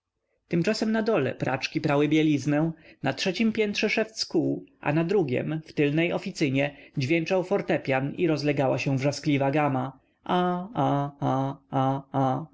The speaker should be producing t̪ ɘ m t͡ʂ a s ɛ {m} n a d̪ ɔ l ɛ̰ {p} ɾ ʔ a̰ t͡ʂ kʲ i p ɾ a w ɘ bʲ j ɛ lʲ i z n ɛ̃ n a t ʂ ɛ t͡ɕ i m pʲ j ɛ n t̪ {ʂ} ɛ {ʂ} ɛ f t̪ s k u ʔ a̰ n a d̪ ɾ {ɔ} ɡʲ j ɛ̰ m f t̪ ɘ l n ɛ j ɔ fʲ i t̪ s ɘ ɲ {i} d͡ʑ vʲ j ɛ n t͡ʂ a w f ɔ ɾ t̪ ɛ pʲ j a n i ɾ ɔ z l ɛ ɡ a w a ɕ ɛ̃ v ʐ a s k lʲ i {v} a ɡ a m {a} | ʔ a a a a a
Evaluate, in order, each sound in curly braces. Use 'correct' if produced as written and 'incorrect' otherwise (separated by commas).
correct, correct, correct, correct, incorrect, incorrect, correct, correct